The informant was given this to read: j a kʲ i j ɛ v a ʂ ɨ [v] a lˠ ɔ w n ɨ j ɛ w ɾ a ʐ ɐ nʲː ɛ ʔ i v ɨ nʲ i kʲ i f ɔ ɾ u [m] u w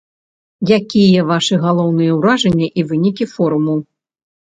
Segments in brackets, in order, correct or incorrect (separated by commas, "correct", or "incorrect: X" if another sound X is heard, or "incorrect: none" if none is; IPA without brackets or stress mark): incorrect: ɣ, correct